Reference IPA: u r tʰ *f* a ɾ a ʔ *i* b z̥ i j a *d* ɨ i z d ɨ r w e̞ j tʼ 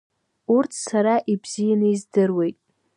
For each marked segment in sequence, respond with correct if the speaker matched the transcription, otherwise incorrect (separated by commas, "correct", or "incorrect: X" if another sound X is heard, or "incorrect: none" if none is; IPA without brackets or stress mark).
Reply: incorrect: s, correct, incorrect: n